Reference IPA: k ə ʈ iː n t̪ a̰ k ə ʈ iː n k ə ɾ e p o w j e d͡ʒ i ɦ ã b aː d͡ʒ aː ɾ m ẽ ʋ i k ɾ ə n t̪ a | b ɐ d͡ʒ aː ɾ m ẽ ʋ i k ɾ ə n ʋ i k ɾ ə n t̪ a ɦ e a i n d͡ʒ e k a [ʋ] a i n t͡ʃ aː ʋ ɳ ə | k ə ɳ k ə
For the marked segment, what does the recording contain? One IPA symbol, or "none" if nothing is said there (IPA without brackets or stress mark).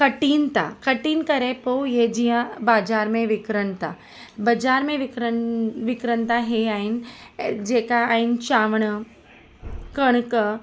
none